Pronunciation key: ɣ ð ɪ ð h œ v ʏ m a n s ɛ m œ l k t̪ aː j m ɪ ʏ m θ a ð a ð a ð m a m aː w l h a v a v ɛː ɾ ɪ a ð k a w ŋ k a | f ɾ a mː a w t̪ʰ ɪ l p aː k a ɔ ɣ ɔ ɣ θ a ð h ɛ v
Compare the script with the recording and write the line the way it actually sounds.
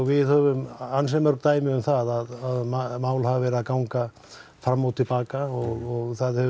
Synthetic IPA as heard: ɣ v ɪ ð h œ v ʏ m a n s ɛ m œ ɾ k t̪ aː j m ɪ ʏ m θ a ð a ð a ð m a m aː w l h a v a v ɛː ɾ ɪ a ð k a w ŋ k a | f ɾ a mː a w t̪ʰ ɪ l p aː k a ɔ ɣ ɔ ɣ θ a ð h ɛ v